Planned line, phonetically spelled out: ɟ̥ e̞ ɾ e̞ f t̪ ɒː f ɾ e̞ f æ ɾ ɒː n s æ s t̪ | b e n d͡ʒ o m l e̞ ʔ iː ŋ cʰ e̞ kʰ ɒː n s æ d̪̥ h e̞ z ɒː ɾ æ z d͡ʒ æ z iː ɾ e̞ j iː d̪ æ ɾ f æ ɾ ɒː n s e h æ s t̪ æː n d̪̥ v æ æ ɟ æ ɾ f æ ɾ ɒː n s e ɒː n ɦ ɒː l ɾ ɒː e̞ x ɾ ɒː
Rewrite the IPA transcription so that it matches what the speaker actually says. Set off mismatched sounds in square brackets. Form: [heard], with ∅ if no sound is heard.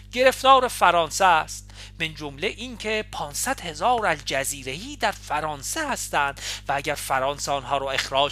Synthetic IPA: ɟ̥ e̞ ɾ e̞ f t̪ ɒː [∅] ɾ e̞ f æ ɾ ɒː n s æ s t̪ | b e n d͡ʒ o m l e̞ ʔ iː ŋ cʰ e̞ [pʰ] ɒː n s æ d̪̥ h e̞ z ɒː ɾ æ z d͡ʒ æ z iː ɾ e̞ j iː d̪ æ ɾ f æ ɾ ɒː n s e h æ s t̪ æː n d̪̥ v æ æ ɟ æ ɾ f æ ɾ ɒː n s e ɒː n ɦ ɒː [∅] ɾ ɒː e̞ x ɾ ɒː